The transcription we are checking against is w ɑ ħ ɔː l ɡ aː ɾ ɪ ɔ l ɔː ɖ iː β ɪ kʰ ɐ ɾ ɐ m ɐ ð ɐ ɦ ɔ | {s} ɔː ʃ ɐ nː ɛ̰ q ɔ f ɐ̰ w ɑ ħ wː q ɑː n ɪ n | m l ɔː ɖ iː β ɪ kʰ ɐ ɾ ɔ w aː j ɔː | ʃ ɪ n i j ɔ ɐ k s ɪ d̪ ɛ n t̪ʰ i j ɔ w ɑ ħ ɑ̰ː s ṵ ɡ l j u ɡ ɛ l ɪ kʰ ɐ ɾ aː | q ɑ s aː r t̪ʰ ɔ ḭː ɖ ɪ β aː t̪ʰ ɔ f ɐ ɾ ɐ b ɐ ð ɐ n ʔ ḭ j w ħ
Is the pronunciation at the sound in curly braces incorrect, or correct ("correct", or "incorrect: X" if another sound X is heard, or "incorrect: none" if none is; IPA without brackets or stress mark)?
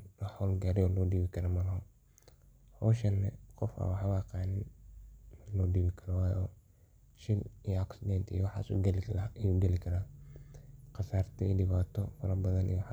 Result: incorrect: h